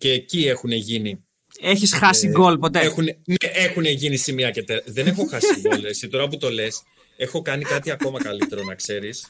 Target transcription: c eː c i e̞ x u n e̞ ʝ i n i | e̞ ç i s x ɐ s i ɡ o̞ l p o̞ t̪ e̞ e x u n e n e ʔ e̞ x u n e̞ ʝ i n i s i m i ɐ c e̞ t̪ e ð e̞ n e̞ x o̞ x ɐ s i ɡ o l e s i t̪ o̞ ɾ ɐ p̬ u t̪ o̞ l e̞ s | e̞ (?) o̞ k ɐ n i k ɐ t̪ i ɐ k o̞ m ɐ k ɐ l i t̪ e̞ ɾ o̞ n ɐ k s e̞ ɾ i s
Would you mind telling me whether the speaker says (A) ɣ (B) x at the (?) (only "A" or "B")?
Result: B